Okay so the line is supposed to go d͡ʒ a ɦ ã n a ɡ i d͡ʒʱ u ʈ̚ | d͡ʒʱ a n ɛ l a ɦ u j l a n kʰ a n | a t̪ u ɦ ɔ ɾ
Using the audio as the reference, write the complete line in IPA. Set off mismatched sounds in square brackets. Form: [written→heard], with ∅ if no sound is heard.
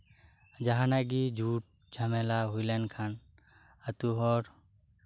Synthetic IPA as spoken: d͡ʒ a ɦ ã n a ɡ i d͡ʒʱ u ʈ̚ | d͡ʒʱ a [n→m] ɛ l a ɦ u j l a n kʰ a n | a t̪ u ɦ ɔ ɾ